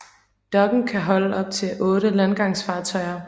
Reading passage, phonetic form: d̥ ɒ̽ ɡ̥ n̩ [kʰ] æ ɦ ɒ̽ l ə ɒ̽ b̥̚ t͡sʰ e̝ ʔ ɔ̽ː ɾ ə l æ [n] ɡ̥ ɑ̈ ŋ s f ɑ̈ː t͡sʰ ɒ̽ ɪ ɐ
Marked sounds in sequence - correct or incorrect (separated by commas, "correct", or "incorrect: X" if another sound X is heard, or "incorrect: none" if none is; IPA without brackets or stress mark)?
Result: correct, correct